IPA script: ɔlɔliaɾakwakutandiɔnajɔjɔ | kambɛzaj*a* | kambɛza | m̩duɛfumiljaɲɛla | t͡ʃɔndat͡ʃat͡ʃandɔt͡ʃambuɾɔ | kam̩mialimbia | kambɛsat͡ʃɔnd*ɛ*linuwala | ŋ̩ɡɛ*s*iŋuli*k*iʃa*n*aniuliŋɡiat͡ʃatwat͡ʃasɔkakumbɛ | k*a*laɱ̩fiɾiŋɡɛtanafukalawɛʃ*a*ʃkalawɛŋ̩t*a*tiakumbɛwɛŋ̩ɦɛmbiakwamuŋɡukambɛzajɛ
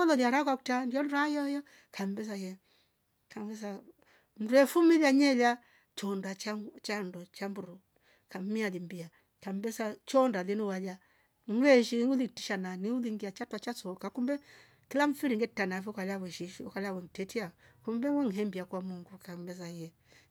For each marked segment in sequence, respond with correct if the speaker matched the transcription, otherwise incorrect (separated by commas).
incorrect, incorrect, incorrect, incorrect, correct, incorrect, incorrect, incorrect